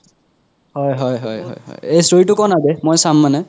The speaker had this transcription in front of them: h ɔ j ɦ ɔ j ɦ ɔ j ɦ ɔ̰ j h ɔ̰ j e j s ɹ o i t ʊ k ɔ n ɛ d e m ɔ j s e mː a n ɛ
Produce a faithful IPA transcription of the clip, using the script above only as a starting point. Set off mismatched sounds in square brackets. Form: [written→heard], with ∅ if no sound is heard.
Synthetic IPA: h ɔ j ɦ ɔ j ɦ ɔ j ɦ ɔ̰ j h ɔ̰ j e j s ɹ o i t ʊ k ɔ n [ɛ→a] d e m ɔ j s [e→a] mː a n ɛ